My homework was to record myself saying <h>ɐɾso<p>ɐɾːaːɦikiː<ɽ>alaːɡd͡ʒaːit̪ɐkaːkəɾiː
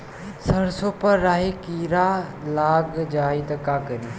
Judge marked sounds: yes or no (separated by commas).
no, yes, no